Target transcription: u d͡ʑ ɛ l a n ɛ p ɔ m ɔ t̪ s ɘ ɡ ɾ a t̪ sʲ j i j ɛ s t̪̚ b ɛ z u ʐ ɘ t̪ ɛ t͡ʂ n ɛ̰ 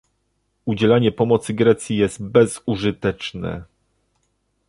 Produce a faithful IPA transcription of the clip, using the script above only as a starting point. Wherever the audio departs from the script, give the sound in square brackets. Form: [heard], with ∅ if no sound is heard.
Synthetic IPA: u d͡ʑ ɛ l a [ɲ] ɛ p ɔ m ɔ t̪ s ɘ ɡ ɾ [ɛ] t̪ sʲ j i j ɛ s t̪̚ b ɛ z u ʐ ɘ t̪ ɛ t͡ʂ n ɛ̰